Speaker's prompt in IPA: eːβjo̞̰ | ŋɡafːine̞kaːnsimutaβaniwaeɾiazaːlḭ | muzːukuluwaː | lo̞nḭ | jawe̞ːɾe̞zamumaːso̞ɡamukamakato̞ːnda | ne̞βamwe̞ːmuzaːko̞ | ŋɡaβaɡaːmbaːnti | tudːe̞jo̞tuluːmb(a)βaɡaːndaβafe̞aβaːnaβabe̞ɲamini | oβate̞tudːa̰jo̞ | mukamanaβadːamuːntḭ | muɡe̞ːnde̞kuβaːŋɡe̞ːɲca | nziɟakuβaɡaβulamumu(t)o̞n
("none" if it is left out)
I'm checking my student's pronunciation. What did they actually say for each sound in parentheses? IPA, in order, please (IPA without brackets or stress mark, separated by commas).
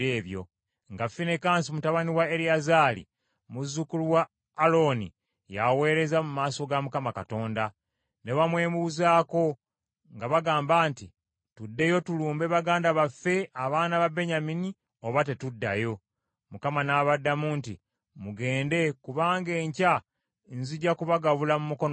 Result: e, k